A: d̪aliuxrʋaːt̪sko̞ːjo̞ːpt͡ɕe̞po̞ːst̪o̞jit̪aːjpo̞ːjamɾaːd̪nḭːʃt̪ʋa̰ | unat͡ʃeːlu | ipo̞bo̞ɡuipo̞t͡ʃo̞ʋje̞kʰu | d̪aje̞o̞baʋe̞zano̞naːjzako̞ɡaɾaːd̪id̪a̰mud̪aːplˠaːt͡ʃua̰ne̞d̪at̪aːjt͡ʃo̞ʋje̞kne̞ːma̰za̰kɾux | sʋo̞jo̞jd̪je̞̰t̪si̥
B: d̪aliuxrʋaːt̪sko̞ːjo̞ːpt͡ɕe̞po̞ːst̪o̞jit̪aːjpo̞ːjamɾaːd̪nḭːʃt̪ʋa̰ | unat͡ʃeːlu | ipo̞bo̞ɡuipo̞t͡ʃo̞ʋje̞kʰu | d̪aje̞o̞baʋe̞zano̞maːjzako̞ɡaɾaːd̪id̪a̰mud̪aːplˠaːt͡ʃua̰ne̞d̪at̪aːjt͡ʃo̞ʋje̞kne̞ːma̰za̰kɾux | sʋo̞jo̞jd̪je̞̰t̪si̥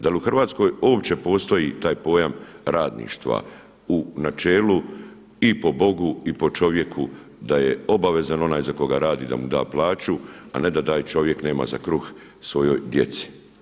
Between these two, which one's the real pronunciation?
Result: A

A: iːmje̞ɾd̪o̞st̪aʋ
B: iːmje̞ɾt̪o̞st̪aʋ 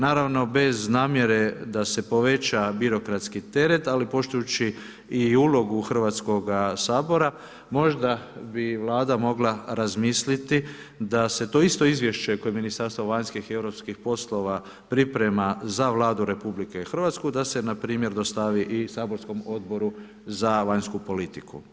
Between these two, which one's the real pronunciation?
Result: A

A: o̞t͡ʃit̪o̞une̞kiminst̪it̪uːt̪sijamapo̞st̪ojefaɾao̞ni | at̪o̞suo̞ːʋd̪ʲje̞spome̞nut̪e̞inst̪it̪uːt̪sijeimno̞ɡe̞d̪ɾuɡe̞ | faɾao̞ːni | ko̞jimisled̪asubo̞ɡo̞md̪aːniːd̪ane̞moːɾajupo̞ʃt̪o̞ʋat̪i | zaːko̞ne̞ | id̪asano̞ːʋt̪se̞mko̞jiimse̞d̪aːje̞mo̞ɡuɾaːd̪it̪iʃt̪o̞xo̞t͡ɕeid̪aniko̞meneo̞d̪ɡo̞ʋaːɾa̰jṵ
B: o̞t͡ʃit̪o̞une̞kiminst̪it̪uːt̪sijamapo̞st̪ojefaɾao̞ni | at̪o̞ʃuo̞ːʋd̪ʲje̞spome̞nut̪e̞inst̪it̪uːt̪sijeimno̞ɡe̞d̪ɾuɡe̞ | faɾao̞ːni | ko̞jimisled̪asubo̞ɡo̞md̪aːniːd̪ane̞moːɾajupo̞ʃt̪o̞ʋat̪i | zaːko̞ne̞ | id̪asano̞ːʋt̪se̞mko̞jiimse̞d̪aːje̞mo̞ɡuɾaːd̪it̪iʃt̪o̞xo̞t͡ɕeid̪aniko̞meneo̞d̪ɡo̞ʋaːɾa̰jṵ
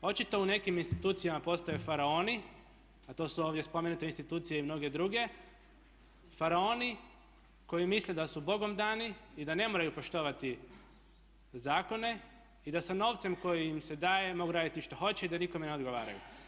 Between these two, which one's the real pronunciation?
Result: A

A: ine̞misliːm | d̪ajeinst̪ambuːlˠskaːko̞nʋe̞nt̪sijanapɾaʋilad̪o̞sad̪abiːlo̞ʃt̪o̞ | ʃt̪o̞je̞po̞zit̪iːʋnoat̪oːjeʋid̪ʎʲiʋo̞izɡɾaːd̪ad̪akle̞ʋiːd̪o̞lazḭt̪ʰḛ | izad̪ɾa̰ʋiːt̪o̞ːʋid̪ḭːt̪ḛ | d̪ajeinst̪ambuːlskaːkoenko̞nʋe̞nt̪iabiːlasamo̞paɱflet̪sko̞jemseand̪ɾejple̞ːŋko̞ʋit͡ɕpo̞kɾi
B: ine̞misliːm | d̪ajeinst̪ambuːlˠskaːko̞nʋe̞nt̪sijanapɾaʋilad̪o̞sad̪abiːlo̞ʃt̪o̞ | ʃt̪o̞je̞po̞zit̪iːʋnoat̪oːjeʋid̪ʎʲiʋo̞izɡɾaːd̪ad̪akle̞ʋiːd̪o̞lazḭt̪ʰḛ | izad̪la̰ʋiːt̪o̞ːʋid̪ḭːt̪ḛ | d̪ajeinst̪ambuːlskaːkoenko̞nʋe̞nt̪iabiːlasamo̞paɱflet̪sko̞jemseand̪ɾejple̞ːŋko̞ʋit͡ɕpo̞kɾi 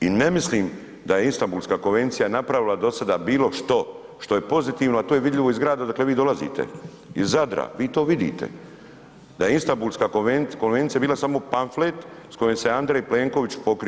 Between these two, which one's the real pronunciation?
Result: A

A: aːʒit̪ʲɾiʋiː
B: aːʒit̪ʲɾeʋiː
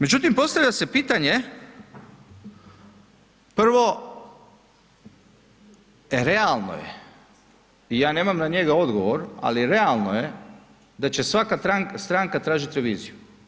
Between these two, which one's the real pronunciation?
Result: B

